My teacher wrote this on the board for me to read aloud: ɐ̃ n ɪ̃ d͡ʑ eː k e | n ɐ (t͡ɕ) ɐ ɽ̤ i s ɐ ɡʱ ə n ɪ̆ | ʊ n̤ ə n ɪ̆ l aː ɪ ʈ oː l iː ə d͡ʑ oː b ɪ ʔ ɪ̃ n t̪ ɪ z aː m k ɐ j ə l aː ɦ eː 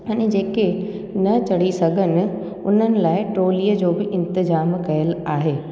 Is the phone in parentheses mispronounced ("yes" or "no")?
no